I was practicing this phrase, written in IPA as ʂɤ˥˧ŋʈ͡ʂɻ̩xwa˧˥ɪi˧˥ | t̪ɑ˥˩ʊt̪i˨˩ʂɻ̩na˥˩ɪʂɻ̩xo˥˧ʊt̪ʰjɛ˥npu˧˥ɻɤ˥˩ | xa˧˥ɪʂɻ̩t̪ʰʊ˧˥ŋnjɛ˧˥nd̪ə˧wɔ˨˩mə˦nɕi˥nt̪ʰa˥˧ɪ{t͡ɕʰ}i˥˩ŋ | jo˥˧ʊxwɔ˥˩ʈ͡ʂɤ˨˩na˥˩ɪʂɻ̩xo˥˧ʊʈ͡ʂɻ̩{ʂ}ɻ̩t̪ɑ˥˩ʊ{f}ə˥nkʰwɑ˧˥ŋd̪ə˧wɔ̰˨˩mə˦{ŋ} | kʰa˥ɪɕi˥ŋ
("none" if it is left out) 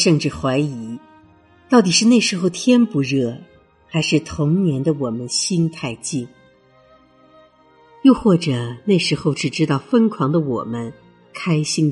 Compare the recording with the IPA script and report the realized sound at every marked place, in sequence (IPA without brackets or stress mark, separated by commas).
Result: t͡ɕ, ʈ͡ʂ, f, n